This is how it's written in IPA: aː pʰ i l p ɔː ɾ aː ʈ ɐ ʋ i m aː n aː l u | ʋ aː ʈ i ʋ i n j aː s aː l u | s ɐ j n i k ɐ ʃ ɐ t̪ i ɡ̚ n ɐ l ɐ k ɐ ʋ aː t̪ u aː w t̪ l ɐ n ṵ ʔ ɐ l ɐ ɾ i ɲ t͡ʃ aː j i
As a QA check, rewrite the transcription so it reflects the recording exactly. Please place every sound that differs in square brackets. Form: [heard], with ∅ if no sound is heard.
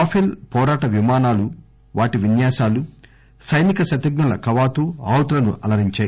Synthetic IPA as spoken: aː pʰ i l p ɔː ɾ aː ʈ ɐ ʋ i m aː n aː l u | ʋ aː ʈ i ʋ i n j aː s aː l u | s ɐ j n i k ɐ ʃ ɐ t̪ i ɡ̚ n ɐ l ɐ k ɐ ʋ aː t̪ u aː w t̪ l ɐ n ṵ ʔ ɐ l ɐ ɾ i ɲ t͡ʃ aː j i